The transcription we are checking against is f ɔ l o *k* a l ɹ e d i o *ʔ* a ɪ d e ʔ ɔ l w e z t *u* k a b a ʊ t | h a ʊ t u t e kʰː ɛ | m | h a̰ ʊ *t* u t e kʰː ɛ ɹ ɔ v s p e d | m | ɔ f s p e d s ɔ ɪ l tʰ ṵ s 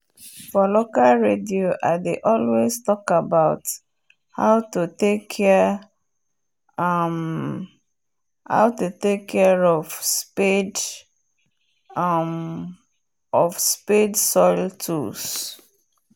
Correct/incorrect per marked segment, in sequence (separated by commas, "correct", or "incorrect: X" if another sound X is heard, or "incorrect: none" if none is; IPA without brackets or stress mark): correct, correct, incorrect: ɔ, correct